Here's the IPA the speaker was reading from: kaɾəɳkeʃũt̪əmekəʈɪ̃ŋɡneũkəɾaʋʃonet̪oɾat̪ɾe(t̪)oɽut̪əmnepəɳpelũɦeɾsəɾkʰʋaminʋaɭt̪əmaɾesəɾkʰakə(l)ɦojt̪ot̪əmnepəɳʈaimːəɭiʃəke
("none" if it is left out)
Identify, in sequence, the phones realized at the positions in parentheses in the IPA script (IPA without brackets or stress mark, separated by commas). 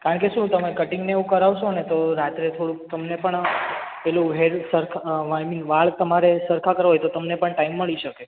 t̪ʰ, ɾ